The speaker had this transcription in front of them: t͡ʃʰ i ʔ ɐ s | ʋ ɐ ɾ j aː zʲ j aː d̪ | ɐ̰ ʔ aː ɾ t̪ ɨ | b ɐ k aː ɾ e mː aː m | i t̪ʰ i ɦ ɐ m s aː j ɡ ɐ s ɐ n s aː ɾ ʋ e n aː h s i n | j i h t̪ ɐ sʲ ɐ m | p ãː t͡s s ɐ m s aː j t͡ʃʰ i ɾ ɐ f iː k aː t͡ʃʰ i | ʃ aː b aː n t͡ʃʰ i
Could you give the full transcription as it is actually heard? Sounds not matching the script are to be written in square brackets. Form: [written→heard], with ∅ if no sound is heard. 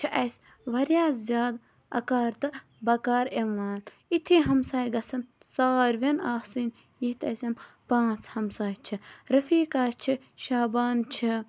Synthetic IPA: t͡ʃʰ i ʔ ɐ s | ʋ ɐ ɾ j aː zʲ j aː d̪ | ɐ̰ [ʔ→k] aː ɾ t̪ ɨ | b ɐ k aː ɾ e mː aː [m→n] | i t̪ʰ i ɦ ɐ m s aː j ɡ ɐ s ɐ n s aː ɾ ʋ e n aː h s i n | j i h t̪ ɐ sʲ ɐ m | p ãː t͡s [s→h] ɐ m s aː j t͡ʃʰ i ɾ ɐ f iː k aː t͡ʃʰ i | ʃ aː b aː n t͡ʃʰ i